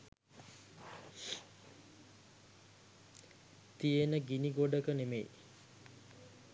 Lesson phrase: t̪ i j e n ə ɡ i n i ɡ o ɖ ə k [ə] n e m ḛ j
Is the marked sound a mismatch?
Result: no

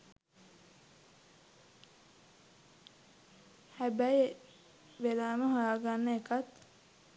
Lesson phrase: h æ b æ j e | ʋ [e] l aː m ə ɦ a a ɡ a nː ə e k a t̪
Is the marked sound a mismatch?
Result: no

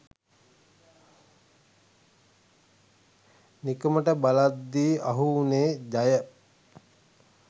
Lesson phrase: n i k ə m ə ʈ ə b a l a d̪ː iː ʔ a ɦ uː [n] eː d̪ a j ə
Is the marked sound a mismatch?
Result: no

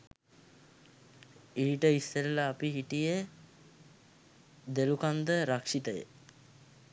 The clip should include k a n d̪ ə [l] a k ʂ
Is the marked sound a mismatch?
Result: yes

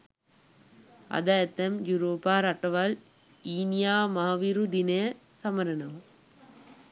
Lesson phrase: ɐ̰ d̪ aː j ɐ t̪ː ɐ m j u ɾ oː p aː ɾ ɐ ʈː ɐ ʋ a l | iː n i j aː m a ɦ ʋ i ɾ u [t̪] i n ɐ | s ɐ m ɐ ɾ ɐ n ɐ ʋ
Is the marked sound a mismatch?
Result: yes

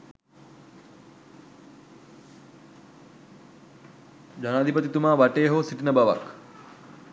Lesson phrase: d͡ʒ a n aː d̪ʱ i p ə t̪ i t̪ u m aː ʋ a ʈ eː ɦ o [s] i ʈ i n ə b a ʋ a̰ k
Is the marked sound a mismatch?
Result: no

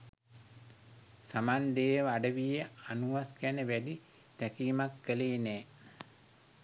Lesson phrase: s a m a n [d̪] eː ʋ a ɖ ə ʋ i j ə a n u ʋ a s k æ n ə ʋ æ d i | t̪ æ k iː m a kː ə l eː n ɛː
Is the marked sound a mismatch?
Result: no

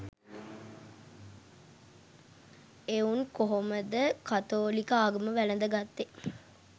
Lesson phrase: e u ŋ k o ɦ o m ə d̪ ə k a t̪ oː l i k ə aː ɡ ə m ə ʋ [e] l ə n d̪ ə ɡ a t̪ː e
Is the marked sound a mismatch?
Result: yes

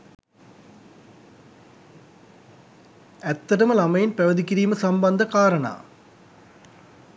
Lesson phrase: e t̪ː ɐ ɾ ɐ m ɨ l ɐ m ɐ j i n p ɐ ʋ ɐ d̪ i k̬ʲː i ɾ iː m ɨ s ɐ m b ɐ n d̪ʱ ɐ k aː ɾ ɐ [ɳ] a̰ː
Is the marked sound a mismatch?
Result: no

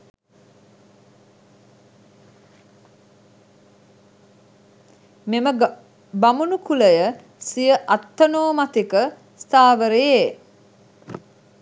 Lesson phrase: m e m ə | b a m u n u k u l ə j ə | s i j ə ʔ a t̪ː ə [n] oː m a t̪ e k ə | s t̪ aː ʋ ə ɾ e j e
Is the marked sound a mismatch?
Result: no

